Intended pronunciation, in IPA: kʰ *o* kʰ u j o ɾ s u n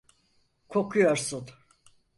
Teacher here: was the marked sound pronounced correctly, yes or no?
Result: yes